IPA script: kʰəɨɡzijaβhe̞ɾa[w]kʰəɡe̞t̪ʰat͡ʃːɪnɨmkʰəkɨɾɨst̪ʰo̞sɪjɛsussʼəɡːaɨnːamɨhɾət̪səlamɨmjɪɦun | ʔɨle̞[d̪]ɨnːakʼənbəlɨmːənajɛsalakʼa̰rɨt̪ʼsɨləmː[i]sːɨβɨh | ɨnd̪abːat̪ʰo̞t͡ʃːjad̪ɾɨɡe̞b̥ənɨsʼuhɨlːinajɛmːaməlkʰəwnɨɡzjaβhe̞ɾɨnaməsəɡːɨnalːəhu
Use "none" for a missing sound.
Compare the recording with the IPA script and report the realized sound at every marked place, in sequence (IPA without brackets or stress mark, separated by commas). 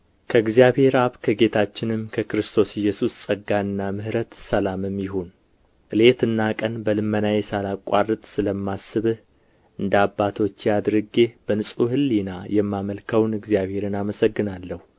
β, t̪, a